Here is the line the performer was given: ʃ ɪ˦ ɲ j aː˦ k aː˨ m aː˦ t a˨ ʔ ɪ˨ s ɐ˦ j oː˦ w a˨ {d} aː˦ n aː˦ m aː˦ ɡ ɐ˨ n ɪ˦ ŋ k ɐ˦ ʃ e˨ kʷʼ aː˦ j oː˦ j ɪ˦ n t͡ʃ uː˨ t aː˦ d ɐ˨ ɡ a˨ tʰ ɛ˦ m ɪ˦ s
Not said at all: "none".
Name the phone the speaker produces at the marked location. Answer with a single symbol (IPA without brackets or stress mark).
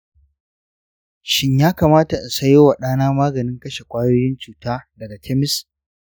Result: ɗ